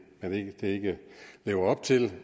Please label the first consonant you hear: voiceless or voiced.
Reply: voiced